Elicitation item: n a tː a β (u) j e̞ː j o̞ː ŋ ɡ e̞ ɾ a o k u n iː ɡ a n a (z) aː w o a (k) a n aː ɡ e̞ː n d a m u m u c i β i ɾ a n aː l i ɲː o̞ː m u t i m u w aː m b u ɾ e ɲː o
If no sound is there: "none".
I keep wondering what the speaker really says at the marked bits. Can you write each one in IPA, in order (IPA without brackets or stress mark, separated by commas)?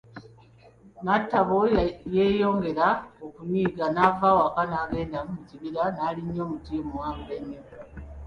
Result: o, v, k